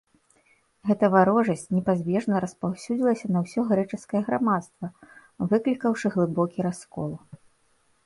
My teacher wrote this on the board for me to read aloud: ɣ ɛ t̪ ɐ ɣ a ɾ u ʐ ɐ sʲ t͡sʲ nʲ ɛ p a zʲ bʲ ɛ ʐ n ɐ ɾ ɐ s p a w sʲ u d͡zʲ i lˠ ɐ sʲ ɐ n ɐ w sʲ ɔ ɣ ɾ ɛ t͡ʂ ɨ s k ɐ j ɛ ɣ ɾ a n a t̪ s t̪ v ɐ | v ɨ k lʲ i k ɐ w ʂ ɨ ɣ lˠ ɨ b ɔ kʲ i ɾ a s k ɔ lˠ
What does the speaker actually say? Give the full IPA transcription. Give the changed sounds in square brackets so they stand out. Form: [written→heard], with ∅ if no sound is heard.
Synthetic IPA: ɣ ɛ t̪ ɐ [ɣ→v] a ɾ [u→ɔ] ʐ ɐ sʲ t͡sʲ nʲ ɛ p a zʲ bʲ ɛ ʐ n ɐ ɾ ɐ s p a w sʲ u d͡zʲ i lˠ ɐ sʲ ɐ n ɐ w sʲ ɔ ɣ ɾ ɛ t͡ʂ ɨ s k ɐ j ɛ ɣ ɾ a [n→m] a t̪ s t̪ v ɐ | v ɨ k lʲ i k ɐ w ʂ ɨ ɣ lˠ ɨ b ɔ kʲ i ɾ a s k ɔ lˠ